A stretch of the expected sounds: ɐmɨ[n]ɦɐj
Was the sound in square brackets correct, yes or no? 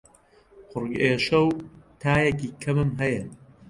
no